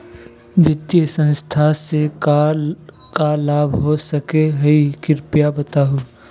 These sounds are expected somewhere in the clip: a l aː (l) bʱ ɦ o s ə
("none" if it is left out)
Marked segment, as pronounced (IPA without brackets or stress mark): none